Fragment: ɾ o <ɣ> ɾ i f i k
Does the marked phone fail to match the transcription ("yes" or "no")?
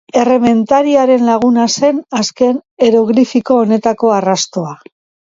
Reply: no